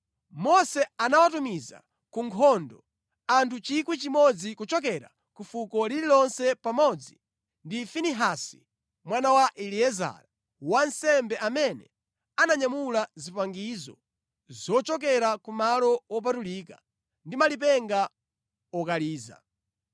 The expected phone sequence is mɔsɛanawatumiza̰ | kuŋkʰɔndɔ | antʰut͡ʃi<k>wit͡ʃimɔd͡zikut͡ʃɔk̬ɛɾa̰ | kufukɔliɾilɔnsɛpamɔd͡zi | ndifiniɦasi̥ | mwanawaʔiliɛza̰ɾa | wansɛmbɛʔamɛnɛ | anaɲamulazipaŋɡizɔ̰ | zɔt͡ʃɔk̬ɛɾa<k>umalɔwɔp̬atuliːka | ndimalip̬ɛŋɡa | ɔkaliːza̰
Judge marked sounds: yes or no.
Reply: yes, yes

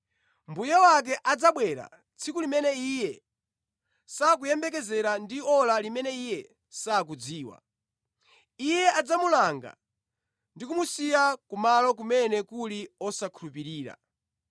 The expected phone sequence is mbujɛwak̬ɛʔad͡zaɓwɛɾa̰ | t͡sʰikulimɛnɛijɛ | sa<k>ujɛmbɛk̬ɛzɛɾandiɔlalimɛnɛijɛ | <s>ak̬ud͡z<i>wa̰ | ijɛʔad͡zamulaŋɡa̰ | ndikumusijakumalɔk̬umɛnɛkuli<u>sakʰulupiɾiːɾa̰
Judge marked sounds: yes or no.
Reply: yes, yes, no, no

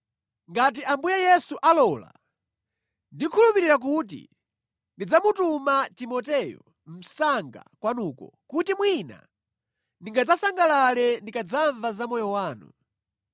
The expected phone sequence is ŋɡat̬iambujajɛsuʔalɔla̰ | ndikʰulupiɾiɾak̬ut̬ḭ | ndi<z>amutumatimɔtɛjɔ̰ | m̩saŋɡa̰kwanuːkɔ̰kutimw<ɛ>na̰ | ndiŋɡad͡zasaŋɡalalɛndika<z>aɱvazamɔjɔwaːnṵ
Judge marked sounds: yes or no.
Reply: no, no, no

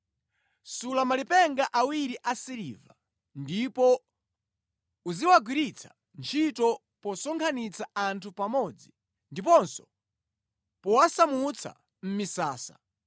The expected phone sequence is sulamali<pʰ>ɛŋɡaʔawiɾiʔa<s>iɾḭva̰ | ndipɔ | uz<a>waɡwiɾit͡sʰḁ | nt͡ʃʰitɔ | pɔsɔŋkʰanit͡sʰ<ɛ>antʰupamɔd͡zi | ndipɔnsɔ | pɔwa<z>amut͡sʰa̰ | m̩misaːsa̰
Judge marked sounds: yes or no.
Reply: no, yes, no, no, no

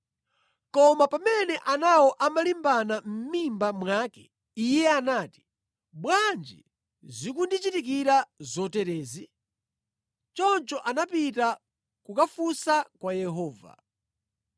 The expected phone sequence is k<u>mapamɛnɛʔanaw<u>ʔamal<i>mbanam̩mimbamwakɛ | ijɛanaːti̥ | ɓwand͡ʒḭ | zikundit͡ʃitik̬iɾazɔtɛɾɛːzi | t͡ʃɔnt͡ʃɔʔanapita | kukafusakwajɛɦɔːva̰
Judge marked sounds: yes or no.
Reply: no, no, yes

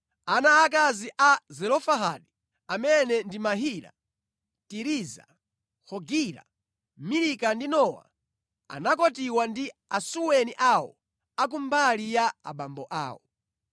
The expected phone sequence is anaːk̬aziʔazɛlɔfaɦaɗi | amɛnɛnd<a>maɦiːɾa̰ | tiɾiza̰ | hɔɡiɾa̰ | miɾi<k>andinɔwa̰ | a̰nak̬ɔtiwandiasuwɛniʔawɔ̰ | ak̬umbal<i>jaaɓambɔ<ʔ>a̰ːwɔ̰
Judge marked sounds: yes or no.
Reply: no, yes, yes, yes

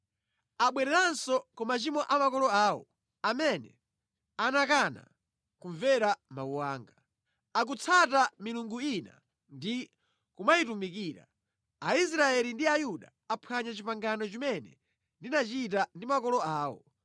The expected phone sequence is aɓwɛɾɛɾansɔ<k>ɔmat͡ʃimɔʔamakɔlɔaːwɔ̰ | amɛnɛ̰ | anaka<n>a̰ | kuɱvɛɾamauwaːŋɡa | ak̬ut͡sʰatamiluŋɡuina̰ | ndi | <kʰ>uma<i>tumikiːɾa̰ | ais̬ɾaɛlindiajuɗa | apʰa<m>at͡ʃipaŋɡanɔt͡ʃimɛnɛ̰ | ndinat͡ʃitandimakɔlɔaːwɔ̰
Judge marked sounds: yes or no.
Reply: yes, yes, no, yes, no

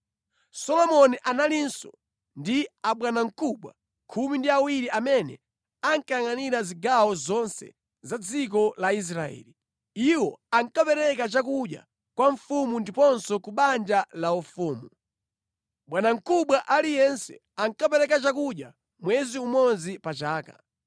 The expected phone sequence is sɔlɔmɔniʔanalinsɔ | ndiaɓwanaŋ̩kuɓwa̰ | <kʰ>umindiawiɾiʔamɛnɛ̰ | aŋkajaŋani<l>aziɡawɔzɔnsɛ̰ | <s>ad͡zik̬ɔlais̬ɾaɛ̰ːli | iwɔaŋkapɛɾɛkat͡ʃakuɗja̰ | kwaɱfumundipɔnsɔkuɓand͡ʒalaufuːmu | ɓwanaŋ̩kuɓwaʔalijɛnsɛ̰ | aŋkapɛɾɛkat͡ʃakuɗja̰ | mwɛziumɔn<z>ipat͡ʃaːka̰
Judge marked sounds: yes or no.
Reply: yes, no, no, yes

